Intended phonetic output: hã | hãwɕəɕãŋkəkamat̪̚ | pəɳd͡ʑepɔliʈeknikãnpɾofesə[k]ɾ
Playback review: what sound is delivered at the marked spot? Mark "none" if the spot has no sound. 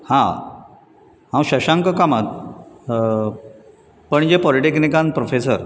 none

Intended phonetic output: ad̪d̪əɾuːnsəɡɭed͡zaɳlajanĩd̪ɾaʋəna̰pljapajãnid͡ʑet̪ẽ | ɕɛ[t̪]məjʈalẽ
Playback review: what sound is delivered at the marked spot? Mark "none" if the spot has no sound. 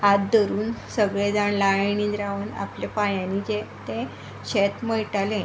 t̪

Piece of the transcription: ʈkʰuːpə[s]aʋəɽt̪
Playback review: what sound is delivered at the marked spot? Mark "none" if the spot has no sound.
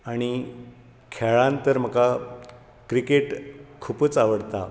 t͡s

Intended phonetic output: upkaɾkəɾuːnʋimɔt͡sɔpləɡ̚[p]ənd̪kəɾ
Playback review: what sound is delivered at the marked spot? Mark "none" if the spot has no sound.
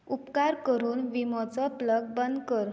b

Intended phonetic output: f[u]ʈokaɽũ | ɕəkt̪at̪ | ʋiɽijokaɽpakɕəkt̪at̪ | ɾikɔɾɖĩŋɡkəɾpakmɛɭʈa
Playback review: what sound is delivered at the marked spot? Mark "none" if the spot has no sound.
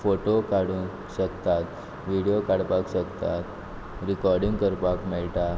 o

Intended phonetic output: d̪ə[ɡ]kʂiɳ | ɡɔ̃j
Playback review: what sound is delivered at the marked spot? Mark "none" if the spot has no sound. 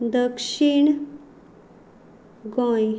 none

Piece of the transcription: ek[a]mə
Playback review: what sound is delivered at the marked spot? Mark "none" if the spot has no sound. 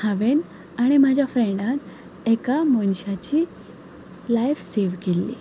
a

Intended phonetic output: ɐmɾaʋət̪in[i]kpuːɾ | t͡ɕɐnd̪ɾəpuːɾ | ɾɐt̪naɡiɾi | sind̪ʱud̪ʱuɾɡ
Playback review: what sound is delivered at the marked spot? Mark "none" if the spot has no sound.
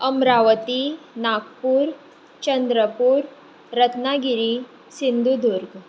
a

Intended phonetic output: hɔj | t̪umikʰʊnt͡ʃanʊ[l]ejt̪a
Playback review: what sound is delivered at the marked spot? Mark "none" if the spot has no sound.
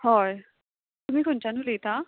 l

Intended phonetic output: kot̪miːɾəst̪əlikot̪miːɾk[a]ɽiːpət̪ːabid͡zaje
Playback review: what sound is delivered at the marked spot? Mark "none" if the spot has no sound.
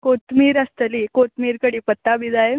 ə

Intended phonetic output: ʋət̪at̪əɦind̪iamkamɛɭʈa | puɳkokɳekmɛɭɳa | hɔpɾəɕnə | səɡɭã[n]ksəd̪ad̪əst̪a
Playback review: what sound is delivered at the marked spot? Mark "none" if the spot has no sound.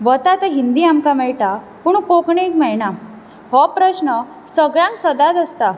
ŋ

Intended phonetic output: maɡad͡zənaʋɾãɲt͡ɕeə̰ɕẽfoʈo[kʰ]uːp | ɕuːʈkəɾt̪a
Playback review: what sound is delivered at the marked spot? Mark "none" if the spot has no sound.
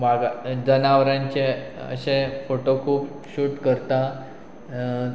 kʰ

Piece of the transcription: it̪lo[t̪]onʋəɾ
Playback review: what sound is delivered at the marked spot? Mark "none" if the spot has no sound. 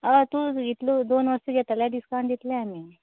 d̪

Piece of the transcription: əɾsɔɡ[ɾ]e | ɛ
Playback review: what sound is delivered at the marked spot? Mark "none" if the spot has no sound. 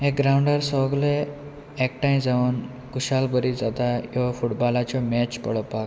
l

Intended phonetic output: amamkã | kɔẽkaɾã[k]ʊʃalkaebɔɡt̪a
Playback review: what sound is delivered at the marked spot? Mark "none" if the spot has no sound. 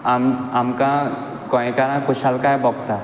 k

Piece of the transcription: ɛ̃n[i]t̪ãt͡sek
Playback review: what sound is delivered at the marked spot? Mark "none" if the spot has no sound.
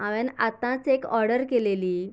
a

